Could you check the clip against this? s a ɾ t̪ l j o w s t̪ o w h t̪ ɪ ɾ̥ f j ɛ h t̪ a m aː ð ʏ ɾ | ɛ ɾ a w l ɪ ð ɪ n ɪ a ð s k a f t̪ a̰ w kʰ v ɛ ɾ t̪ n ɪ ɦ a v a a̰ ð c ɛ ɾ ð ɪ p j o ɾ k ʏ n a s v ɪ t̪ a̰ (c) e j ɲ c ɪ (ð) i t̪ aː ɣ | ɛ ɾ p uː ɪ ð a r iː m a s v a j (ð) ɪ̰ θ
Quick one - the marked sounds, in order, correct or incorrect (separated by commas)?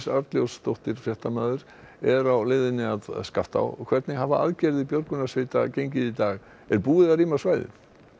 correct, correct, correct